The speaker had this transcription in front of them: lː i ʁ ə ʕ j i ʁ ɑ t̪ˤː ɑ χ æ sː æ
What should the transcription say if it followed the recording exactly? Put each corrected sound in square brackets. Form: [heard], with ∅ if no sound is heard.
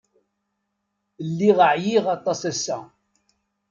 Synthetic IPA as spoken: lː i ʁ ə ʕ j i ʁ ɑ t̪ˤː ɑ [s] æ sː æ